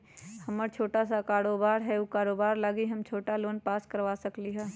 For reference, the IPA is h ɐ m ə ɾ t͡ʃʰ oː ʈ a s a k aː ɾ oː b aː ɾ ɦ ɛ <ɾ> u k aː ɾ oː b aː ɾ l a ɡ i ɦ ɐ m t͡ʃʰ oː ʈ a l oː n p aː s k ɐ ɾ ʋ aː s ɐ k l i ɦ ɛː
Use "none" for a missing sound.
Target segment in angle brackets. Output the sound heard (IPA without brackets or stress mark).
none